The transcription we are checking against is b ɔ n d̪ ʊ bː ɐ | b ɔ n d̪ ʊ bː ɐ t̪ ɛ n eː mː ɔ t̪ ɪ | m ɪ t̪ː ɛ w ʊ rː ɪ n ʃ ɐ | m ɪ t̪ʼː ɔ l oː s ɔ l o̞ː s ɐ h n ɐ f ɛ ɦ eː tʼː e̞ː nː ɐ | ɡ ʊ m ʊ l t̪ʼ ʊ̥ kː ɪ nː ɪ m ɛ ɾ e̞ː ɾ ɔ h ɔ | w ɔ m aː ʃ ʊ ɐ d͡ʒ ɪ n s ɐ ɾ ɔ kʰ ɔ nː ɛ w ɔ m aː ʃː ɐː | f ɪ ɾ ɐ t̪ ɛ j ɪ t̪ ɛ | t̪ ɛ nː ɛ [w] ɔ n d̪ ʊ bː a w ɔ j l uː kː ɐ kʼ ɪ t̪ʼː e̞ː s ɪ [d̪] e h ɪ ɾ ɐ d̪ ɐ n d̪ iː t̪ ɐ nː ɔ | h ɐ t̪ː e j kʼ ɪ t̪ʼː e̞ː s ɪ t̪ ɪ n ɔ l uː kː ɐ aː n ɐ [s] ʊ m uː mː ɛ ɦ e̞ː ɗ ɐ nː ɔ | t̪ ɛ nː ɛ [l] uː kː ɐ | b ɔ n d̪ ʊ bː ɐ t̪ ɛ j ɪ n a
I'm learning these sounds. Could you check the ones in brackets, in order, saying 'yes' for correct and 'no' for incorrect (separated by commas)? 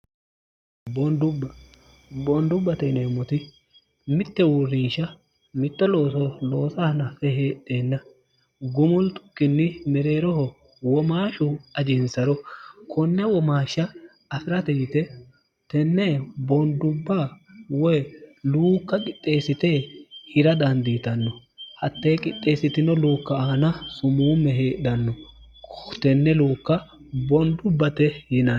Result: no, no, yes, yes